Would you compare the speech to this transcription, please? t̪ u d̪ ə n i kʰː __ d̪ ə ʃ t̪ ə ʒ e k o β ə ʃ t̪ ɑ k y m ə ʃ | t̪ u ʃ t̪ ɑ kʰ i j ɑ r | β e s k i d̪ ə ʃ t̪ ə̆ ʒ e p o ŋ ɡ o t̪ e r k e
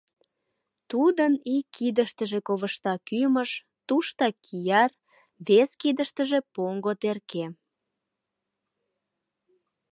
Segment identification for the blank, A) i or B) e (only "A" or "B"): A